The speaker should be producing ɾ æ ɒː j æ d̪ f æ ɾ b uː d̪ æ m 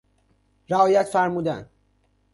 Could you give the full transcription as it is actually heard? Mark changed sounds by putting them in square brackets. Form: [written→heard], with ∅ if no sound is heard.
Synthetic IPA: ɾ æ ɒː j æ [d̪→t̪] f æ ɾ [b→m] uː d̪ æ [m→n]

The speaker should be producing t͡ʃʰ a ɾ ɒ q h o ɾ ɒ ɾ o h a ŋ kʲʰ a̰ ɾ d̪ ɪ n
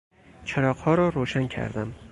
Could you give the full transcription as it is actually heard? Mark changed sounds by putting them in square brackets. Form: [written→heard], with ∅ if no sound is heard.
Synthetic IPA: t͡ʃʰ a ɾ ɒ q h [o→ɒ] ɾ ɒ ɾ o [h→ʃ] a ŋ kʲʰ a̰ ɾ d̪ ɪ [n→m]

